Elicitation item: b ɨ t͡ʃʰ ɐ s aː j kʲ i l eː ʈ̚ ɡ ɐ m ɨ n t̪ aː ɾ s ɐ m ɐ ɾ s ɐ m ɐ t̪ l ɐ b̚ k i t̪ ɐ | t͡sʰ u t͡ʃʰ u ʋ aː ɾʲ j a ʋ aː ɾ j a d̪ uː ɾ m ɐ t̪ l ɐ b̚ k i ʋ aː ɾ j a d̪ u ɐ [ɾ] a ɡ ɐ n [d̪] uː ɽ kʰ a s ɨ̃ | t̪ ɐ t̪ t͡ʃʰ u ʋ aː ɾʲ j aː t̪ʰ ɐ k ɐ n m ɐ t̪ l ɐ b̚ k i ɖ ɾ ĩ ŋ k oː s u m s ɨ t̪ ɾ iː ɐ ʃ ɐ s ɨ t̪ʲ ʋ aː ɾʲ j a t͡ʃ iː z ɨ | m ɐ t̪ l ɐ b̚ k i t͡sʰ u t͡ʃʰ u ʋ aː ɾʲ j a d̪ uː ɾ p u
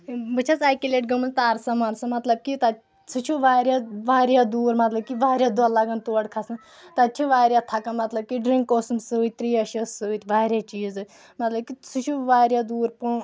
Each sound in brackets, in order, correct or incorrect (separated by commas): incorrect, incorrect